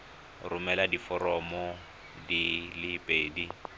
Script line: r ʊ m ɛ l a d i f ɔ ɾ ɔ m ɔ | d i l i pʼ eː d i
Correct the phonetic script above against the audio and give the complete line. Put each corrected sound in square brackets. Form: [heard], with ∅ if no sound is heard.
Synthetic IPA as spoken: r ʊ m ɛ l a d i f ɔ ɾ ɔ m ɔ | d i l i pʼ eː d i